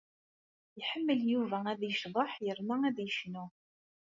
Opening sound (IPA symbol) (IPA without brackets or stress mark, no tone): ħ